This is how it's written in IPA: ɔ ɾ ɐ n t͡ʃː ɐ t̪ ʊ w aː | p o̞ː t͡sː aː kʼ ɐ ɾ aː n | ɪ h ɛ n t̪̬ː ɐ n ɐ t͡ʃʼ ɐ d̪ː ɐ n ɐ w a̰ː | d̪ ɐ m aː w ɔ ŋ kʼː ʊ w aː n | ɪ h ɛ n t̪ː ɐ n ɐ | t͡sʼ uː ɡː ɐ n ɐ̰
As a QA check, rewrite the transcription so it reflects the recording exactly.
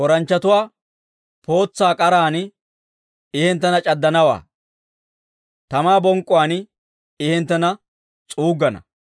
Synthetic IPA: ɔ ɾ ɐ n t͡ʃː ɐ t̪ ʊ w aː | p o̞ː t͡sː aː kʼ ɐ ɾ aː n | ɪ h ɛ n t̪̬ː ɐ n ɐ t͡ʃʼ ɐ d̪ː ɐ n ɐ w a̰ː | t̪ ɐ m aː b ɔ ŋ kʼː ʊ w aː n | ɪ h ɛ n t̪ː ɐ n ɐ | t͡sʼ uː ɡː ɐ n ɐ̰